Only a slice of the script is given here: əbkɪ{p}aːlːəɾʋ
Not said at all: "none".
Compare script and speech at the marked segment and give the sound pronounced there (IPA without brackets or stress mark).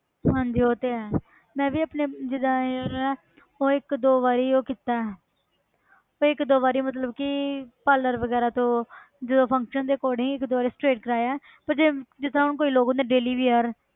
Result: p